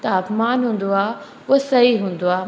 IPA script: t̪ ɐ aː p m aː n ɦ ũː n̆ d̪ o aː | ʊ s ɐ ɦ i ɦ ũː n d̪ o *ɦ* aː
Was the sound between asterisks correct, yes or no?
no